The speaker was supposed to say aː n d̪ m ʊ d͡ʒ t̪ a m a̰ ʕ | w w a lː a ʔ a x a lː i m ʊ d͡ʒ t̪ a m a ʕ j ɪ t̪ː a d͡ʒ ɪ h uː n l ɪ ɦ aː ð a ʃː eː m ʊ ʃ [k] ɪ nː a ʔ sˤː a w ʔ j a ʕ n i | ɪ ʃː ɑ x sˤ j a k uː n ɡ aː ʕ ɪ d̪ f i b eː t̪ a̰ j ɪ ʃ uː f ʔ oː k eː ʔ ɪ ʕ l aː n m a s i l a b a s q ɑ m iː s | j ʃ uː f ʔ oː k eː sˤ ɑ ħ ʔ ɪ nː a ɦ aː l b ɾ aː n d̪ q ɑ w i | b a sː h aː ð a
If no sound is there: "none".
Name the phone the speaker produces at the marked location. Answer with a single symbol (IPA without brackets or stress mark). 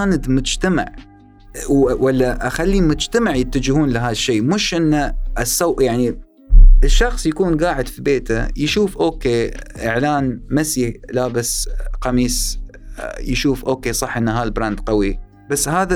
ʔ